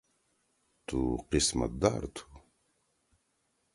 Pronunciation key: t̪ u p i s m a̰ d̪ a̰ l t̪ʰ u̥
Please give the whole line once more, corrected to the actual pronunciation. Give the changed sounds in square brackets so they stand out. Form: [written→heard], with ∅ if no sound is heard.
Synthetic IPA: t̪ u [p→q] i s m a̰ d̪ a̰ [l→ɾ] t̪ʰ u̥